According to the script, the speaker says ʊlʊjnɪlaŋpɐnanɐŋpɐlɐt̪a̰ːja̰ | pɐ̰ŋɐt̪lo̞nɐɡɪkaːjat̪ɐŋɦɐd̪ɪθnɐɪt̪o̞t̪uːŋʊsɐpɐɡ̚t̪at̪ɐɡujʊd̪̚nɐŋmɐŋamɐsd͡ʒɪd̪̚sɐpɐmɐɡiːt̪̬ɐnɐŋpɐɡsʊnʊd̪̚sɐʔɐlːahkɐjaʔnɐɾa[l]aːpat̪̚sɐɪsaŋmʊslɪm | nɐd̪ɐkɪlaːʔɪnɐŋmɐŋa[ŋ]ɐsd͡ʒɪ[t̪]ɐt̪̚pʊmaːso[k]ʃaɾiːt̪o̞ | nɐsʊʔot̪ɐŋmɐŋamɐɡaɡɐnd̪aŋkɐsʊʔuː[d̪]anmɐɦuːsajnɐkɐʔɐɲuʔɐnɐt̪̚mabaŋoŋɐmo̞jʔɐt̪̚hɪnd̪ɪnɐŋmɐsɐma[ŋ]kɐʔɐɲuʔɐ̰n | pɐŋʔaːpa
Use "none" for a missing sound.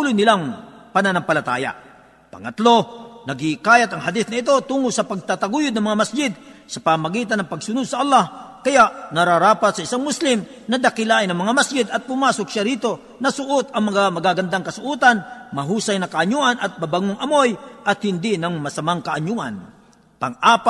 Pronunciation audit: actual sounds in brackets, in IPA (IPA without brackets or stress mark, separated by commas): ɾ, m, d̪, k, t̪, ŋ